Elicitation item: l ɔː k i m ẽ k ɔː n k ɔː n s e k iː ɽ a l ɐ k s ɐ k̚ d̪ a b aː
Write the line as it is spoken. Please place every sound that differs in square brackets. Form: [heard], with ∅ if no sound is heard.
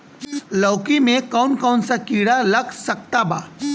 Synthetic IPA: l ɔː k i m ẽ k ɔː n k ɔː n s [a] k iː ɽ a l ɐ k s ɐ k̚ [t̪] a b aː